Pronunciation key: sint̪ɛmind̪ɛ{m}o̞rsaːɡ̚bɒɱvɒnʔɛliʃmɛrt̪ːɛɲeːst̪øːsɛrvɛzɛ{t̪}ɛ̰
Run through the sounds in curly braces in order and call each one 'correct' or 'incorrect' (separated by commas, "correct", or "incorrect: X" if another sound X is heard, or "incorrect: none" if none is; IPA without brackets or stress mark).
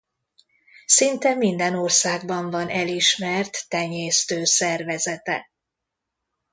incorrect: n, correct